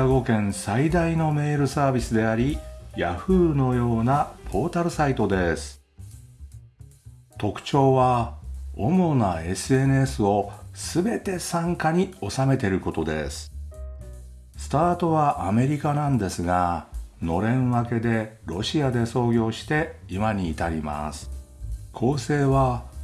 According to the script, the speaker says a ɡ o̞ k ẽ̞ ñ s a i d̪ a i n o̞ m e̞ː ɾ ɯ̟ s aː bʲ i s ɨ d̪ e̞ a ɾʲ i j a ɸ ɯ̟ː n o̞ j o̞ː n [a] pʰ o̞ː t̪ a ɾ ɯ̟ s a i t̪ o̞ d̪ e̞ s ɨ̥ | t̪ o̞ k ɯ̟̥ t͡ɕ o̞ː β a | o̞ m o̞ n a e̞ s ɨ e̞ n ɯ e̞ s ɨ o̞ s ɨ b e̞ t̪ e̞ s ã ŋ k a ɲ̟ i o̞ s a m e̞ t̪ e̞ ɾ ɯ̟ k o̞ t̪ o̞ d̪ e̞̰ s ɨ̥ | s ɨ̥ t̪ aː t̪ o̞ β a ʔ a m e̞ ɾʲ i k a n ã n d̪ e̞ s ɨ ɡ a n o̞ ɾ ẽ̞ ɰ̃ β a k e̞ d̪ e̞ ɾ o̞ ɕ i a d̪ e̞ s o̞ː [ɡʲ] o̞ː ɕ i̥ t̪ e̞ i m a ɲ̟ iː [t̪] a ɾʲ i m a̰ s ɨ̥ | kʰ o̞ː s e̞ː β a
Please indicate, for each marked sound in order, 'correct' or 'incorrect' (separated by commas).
correct, correct, correct